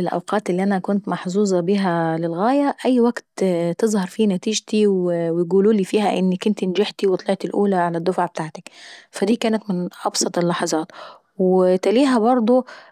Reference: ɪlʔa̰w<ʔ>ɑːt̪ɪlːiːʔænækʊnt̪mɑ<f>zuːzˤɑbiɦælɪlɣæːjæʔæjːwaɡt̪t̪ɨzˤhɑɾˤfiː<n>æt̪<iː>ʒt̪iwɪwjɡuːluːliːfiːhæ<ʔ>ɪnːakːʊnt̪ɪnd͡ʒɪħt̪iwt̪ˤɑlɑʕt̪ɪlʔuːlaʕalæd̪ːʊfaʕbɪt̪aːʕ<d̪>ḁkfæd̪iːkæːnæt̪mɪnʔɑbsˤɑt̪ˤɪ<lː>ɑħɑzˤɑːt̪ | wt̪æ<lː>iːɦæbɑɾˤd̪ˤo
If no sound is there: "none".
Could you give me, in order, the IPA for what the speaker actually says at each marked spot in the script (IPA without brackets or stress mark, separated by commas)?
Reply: q, ħ, n, iː, ʔ, t̪, lː, l